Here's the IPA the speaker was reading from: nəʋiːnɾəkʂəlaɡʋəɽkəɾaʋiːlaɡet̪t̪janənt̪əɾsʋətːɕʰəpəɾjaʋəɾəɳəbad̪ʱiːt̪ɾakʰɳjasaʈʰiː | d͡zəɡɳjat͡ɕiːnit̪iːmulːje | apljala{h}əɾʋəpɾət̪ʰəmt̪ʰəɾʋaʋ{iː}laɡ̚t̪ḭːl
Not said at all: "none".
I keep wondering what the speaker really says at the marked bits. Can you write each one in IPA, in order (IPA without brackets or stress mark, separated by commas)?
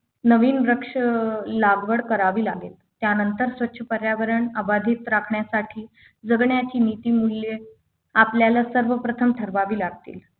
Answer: s, iː